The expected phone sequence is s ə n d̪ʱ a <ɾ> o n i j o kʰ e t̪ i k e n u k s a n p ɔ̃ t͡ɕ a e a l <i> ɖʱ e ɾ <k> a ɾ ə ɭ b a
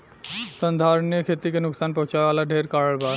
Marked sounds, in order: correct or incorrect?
correct, incorrect: a, correct

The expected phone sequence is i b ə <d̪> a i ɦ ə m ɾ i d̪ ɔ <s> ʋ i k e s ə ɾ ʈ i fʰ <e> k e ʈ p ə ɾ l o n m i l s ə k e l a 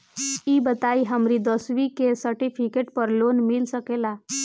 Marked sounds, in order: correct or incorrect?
incorrect: t̪, correct, incorrect: i

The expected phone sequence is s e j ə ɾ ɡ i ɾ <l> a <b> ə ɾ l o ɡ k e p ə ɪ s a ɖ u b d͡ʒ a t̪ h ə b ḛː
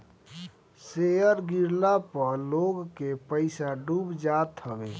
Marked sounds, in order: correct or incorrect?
correct, incorrect: p

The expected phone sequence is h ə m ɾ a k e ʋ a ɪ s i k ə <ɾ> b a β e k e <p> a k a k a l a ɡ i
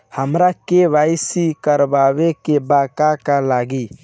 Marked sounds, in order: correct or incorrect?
correct, incorrect: b

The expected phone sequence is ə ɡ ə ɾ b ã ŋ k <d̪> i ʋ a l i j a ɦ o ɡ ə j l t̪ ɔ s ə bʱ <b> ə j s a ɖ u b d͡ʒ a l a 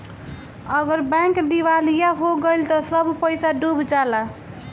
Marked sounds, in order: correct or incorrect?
correct, incorrect: p

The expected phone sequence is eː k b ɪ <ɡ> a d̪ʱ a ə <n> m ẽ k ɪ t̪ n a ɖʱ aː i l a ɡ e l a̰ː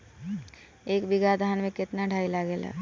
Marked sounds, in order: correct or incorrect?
correct, correct

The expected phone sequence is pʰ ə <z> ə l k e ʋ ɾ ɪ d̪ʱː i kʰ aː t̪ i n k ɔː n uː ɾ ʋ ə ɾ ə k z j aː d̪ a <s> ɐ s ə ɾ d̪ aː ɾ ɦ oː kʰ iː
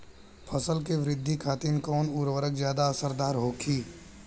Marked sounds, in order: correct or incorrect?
incorrect: s, incorrect: none

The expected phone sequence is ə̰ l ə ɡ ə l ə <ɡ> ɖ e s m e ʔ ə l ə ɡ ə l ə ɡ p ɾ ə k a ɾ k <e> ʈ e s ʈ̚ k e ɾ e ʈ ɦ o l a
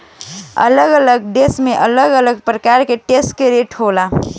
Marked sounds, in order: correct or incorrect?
correct, correct

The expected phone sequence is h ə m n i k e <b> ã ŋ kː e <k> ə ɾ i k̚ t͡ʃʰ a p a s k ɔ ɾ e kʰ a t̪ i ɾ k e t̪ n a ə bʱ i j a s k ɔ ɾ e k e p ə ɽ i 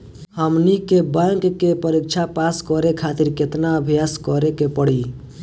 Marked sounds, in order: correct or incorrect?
correct, incorrect: p

